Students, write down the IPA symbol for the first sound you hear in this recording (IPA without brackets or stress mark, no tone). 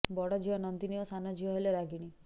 b